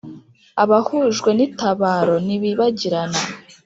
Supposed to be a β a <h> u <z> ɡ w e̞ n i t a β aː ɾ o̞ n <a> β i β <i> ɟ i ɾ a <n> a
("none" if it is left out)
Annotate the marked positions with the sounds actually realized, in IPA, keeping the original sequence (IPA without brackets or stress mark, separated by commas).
h, ʒ, i, a, n